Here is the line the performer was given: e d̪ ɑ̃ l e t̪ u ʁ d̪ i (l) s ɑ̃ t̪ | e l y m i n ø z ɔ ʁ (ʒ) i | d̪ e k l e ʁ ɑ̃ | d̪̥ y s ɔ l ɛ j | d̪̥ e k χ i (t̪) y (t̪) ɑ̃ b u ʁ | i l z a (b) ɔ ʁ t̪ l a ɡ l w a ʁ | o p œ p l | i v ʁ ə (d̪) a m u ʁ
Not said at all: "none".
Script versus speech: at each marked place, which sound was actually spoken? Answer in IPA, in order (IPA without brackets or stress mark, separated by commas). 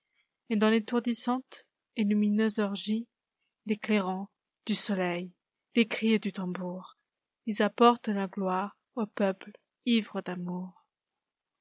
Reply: none, ʒ, d̪, t̪, p, d̪